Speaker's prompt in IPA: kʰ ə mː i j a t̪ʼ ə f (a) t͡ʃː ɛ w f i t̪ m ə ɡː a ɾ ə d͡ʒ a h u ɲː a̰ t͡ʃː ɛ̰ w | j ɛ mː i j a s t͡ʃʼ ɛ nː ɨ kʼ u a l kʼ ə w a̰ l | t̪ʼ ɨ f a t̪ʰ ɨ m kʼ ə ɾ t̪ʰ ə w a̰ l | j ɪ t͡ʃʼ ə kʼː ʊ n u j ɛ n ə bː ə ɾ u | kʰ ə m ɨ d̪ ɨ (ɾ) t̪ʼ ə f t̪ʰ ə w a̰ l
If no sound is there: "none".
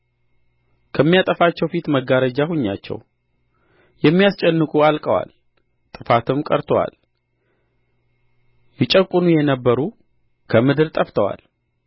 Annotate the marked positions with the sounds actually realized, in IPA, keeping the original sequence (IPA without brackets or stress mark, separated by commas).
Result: a, ɾ